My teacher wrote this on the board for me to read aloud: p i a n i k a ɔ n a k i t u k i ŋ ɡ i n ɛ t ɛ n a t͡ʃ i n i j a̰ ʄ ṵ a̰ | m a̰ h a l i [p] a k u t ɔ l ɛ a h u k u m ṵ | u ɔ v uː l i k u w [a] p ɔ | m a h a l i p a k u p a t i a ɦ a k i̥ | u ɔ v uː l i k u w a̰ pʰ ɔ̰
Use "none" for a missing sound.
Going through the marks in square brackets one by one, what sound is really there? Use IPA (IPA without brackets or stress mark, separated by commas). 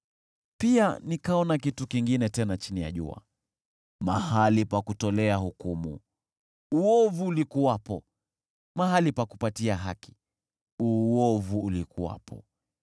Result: p, a